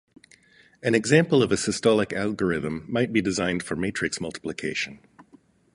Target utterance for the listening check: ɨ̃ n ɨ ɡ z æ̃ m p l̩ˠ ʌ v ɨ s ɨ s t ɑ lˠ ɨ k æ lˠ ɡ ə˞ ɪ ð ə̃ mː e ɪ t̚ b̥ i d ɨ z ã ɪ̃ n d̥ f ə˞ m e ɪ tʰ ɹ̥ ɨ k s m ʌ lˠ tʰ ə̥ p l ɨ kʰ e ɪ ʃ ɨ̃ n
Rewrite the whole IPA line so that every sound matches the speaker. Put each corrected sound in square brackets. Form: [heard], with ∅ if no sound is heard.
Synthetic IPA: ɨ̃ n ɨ ɡ z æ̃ m p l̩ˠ ʌ v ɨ s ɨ s t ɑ lˠ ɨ k æ lˠ ɡ ə˞ ɪ ð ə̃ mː [a] ɪ t̚ b̥ i d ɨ z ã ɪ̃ n d̥ f ə˞ m e ɪ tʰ ɹ̥ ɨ k s m ʌ lˠ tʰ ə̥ p l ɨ kʰ e ɪ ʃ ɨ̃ n